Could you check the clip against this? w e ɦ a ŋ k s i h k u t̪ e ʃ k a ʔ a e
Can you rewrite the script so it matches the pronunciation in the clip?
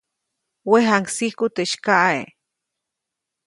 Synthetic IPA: w e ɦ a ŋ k s i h k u t̪ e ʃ k a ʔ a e